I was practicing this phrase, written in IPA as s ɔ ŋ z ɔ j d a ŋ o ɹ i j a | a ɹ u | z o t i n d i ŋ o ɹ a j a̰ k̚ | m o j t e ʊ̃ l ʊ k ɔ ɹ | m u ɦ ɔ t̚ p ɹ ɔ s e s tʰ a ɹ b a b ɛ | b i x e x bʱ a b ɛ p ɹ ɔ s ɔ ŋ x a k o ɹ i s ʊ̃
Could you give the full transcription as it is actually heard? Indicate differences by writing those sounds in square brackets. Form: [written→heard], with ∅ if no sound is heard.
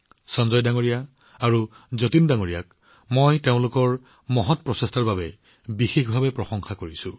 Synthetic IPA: s ɔ [ŋ→n] z ɔ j d a ŋ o ɹ i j a | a ɹ u | z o t i n d [i→a] ŋ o ɹ [a→i] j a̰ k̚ | m o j t e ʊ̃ l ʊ k ɔ ɹ | m [u→ɔ] ɦ ɔ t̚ p ɹ ɔ s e s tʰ a ɹ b a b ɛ | b i x e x bʱ a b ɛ p ɹ ɔ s ɔ ŋ x a k o ɹ i s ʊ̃